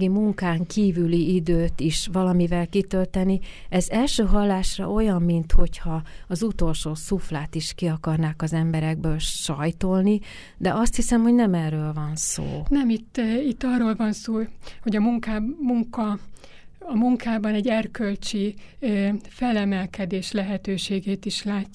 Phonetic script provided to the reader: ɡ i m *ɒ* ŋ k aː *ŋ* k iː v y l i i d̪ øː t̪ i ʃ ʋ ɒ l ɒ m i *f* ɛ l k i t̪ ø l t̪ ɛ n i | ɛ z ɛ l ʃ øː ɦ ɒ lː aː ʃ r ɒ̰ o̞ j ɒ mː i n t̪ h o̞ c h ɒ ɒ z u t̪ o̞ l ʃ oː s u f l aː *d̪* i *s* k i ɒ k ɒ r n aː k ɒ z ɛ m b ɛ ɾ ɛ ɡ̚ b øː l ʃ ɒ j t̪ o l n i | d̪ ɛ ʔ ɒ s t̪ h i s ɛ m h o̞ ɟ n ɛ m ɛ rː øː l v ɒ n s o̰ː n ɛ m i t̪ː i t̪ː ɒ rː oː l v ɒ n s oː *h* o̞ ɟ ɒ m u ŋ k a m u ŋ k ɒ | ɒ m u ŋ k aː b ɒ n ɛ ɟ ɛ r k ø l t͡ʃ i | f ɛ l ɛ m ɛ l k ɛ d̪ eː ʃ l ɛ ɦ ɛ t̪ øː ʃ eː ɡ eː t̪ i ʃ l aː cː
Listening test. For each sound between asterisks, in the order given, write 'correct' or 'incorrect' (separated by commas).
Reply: incorrect, correct, incorrect, incorrect, incorrect, correct